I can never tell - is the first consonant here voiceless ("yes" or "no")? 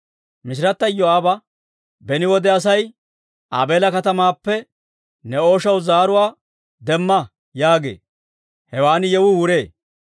no